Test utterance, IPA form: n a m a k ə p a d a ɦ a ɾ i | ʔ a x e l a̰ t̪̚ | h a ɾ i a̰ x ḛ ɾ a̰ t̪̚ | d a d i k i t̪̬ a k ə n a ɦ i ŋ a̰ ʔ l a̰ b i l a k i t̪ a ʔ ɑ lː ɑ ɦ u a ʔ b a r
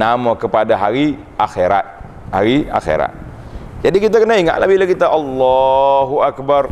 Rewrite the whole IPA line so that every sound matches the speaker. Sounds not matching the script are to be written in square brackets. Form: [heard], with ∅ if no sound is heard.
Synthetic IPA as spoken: n a m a k ə p a d a ɦ a ɾ i | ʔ a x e [ɾ] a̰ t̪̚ | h a ɾ i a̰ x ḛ ɾ a̰ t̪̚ | [d͡ʒ] a d i k i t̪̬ a k ə n a [∅] i ŋ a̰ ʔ l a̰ b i l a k i t̪ a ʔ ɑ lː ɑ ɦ u a [k] b a r